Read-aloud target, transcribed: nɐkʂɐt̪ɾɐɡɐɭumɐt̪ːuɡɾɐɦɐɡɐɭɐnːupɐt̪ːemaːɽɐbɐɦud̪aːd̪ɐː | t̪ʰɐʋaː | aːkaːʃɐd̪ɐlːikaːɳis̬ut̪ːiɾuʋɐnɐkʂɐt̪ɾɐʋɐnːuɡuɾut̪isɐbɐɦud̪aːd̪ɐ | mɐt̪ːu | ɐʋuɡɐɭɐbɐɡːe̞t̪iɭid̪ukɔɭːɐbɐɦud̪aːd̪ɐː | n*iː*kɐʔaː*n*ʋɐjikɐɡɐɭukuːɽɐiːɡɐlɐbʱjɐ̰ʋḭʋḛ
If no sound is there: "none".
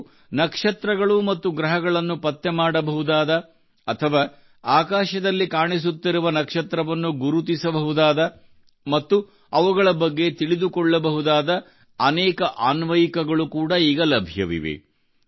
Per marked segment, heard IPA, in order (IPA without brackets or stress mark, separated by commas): ɛː, n